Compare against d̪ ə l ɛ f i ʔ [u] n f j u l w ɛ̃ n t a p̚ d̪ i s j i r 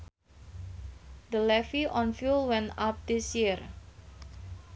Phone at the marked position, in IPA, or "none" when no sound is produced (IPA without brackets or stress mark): ɔ